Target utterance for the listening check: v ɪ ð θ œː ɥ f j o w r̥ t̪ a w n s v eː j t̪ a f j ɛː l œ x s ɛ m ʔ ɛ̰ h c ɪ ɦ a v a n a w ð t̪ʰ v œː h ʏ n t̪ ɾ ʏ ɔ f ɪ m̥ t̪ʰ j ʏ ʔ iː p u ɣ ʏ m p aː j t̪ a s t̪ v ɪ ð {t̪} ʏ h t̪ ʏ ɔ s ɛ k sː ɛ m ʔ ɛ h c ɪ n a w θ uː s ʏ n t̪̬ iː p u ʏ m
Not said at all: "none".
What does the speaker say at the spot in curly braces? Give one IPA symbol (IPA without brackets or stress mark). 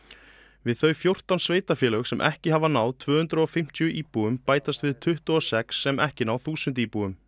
t̪ʰ